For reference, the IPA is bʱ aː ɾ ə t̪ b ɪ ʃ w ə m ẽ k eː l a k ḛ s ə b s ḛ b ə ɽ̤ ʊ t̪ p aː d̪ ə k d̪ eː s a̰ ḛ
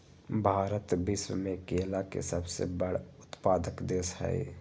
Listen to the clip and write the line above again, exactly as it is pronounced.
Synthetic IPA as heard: bʱ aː ɾ ə t̪ b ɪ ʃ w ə m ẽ k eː l a k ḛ s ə b s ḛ b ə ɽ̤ ʊ t̪ p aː d̪ ə k d̪ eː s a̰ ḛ